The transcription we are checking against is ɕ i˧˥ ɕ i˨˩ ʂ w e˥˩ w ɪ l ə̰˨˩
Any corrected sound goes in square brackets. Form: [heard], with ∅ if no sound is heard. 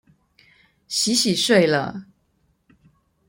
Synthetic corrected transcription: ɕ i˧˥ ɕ i˨˩ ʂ w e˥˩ [∅] ɪ l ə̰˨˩